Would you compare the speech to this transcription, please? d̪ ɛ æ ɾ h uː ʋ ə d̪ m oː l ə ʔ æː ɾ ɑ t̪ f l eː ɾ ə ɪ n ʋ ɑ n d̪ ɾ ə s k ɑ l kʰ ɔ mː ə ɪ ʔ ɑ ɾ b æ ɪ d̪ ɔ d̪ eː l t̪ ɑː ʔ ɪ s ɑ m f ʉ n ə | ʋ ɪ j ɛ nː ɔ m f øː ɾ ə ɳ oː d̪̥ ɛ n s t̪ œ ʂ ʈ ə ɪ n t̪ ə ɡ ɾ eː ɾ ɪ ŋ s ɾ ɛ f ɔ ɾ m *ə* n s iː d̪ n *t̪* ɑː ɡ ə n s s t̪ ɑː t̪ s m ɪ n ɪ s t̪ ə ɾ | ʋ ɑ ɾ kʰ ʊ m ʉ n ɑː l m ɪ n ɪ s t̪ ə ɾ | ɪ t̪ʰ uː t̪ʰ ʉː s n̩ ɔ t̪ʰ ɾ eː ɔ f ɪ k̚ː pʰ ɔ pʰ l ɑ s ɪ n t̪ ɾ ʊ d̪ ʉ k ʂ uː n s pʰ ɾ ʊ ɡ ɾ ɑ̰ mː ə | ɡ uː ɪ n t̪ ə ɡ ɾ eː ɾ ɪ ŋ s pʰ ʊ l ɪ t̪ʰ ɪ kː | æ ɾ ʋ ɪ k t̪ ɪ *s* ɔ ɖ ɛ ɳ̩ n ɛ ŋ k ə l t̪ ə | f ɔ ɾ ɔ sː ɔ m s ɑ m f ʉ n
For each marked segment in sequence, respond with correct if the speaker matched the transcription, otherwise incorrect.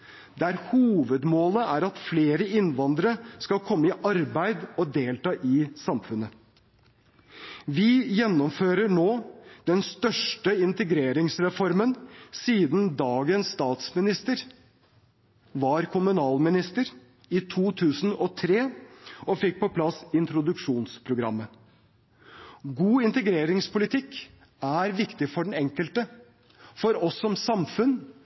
correct, incorrect, incorrect

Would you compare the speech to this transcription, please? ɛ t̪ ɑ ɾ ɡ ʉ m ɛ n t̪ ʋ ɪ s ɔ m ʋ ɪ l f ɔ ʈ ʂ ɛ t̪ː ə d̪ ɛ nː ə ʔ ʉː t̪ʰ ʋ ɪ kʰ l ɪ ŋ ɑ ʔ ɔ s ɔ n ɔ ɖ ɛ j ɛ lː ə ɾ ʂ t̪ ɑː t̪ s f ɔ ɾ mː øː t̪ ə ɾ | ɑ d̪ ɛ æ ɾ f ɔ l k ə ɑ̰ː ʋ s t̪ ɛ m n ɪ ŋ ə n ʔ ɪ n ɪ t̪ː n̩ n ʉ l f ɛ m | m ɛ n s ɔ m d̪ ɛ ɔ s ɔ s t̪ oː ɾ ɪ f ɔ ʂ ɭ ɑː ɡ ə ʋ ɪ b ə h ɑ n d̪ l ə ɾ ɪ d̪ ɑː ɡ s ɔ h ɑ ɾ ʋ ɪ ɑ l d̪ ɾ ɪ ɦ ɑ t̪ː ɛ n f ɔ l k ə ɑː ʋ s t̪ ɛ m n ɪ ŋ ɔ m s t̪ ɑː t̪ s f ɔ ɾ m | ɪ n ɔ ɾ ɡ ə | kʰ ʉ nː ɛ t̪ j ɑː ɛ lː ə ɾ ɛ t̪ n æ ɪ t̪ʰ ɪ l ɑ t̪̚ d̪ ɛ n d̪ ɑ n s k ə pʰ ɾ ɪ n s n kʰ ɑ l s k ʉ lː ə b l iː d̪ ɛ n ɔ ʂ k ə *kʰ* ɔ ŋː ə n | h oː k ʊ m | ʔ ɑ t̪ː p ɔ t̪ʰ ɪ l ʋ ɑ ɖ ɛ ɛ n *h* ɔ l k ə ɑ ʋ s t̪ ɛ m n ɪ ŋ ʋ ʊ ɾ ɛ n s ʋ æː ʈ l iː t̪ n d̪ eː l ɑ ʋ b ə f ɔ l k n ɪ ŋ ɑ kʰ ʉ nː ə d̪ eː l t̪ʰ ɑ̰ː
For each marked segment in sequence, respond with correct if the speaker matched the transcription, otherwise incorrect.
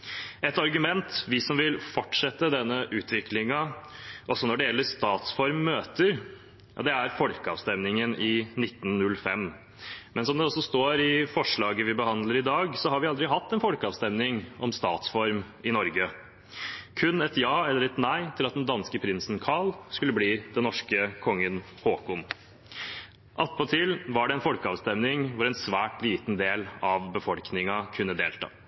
correct, incorrect

